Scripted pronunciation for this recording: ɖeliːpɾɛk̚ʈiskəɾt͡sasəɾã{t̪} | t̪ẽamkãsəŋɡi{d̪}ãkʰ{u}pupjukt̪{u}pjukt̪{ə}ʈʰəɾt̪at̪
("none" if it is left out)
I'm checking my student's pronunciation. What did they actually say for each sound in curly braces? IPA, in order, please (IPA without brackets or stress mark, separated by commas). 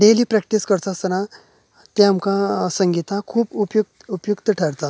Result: none, t̪, uː, u, ə